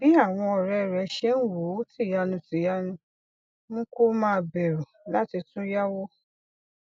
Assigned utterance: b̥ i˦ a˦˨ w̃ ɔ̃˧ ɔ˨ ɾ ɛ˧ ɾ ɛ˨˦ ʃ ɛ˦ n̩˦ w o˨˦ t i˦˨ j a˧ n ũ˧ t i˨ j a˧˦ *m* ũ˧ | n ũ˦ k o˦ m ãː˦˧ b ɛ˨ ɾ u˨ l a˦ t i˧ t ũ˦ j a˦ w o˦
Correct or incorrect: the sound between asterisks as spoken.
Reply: incorrect: n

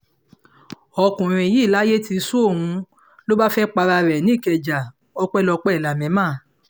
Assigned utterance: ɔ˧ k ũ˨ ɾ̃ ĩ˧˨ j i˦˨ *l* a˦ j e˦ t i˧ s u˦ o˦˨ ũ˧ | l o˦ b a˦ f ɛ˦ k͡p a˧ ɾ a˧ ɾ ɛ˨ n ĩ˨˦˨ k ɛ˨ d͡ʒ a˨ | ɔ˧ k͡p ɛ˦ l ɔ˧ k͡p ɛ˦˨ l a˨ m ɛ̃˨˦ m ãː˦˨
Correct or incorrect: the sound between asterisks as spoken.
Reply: correct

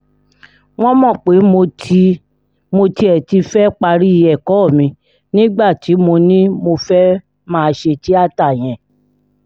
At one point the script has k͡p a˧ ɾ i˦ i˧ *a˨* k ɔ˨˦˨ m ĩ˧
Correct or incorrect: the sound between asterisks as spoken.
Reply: incorrect: ɛ˨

